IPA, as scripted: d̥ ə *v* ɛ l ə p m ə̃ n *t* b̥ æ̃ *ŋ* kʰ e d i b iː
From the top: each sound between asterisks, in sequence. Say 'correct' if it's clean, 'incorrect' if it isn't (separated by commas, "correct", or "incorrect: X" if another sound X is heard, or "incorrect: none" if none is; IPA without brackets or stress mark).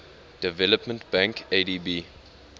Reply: correct, correct, correct